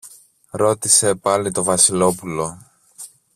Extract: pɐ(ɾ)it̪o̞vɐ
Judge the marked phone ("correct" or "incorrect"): incorrect